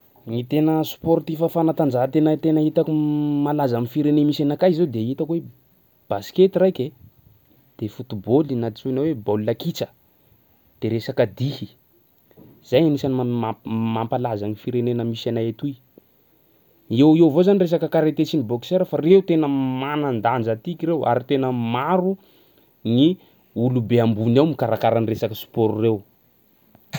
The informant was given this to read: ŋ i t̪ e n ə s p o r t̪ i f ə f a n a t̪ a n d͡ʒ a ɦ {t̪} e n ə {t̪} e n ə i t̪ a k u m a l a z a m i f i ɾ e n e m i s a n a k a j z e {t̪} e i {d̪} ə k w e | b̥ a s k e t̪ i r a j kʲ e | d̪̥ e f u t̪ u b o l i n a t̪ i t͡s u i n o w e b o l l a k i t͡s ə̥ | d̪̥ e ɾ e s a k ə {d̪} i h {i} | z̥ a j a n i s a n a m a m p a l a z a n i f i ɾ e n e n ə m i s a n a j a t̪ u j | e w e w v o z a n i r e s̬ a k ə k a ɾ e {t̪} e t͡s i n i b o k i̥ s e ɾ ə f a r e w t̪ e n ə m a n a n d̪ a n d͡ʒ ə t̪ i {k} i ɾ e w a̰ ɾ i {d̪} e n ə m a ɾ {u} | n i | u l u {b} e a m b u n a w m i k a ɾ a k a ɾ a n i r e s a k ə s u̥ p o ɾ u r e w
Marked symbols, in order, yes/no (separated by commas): yes, yes, no, no, yes, yes, yes, yes, no, yes, yes